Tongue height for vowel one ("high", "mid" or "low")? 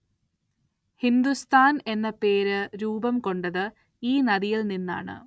high